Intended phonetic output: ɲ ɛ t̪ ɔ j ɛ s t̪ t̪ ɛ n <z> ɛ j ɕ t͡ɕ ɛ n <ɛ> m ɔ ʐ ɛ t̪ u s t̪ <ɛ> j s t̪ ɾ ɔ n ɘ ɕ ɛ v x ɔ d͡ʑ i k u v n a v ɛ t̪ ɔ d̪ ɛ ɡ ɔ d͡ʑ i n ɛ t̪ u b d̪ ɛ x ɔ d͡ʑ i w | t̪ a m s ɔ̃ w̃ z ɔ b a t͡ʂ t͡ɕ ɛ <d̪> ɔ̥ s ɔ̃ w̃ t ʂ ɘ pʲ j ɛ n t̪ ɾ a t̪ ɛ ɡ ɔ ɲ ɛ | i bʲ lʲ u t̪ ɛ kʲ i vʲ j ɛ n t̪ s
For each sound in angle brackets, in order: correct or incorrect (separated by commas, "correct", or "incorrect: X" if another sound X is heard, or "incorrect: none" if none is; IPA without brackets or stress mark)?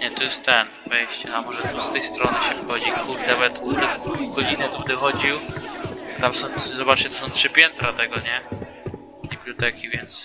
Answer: incorrect: v, incorrect: a, correct, incorrect: t̪